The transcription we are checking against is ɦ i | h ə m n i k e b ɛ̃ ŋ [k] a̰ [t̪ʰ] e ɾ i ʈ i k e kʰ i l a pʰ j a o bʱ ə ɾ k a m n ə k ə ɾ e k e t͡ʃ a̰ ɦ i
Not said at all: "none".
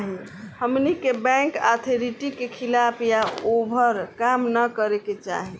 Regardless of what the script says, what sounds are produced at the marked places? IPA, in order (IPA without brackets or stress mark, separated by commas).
k, t̪ʰ